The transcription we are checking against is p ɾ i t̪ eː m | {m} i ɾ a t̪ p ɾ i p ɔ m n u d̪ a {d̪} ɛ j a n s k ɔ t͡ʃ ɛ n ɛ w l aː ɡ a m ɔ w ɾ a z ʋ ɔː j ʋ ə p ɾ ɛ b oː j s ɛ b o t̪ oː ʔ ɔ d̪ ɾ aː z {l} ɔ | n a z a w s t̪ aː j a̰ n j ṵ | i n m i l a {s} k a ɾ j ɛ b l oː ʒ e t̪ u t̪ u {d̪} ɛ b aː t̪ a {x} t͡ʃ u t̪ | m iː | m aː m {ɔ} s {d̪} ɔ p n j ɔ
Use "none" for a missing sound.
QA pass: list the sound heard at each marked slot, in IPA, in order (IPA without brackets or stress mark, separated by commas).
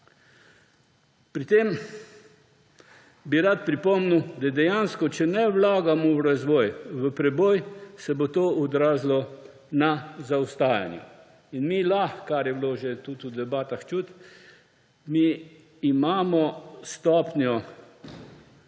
b, d̪, l, x, d̪, x, ɔ, t̪